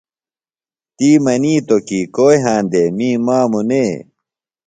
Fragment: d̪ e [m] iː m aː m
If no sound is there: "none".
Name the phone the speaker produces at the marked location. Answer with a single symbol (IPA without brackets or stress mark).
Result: m